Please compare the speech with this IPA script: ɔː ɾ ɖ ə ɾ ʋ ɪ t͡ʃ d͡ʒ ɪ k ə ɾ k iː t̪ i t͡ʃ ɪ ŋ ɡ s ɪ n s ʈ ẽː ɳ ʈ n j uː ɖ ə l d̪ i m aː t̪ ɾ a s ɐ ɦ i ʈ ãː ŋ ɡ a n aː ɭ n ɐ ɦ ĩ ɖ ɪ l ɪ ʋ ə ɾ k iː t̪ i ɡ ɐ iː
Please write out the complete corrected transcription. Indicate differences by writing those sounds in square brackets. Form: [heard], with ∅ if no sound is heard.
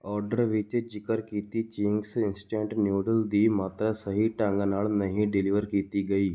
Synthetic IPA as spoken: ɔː ɾ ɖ ə ɾ ʋ ɪ t͡ʃ d͡ʒ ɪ k ə ɾ k iː t̪ i t͡ʃ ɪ ŋ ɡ s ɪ n s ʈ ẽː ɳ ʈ n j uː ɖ ə l d̪ i m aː t̪ ɾ a s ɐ ɦ i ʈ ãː ŋ ɡ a n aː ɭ n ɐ ɦ ĩ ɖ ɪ l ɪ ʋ ə ɾ k iː t̪ i ɡ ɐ iː